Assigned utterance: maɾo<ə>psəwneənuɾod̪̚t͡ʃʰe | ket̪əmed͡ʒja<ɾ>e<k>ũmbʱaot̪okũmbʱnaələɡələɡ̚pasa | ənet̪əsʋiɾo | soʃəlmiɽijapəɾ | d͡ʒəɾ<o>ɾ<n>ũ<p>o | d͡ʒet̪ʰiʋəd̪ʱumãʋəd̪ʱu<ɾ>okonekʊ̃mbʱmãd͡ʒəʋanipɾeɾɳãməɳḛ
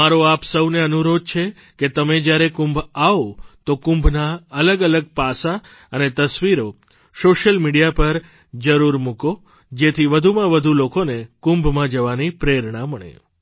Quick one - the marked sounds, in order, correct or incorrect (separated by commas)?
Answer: incorrect, correct, correct, incorrect, incorrect, incorrect, incorrect